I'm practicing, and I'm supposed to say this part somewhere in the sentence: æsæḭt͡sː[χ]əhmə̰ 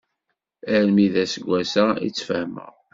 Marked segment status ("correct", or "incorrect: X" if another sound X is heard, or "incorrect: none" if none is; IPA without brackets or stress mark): incorrect: f